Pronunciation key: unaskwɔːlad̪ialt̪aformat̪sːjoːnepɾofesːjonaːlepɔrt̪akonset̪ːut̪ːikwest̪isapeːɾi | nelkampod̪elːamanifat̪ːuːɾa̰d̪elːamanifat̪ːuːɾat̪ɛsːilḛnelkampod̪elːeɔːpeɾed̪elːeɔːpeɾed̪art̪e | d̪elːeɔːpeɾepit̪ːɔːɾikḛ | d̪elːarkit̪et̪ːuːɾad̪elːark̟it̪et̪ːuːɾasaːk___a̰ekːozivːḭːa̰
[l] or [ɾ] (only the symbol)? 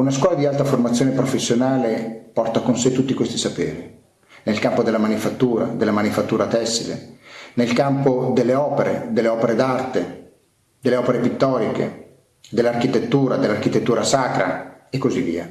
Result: ɾ